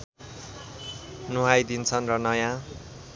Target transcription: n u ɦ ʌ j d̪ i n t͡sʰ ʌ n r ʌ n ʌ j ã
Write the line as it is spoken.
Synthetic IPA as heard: n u ɦ a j d̪ i n t͡sʰ ʌ n r ʌ n ʌ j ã